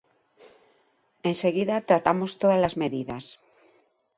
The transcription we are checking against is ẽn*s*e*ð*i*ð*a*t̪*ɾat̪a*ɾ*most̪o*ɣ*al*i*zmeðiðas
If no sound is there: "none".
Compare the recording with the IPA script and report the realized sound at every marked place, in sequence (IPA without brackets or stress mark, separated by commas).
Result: s, ɣ, ð, t̪, none, ð, a